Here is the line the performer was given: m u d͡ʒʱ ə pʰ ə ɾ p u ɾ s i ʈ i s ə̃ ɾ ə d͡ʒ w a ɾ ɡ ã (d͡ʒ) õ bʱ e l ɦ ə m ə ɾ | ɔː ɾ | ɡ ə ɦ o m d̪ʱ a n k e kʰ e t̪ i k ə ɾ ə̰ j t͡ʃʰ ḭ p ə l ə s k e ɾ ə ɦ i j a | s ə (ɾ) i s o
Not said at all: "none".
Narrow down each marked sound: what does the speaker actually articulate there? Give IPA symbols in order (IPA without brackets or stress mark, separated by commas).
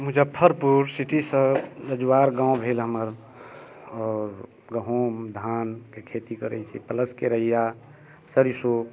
none, ɾ